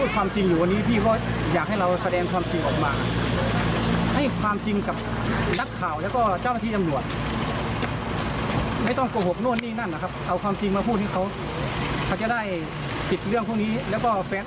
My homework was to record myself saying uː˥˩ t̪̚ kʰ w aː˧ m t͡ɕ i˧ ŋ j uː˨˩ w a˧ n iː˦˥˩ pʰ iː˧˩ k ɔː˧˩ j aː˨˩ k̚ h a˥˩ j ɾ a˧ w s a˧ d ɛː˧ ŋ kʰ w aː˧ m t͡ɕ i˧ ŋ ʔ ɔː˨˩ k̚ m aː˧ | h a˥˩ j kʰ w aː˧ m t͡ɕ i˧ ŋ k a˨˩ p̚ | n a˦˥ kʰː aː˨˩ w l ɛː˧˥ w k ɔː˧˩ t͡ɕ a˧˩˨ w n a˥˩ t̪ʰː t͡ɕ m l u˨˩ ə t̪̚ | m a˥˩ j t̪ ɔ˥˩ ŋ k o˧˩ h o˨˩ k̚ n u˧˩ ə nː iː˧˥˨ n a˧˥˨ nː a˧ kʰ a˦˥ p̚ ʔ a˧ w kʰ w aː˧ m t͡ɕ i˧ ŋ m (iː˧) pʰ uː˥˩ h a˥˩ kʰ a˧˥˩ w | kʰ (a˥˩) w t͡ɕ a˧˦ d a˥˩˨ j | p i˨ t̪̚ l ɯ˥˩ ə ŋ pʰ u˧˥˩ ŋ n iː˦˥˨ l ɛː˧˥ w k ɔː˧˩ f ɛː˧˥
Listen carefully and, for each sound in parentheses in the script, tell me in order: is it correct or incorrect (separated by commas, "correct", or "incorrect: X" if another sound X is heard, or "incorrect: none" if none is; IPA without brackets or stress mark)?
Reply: incorrect: aː˧, incorrect: a˧˩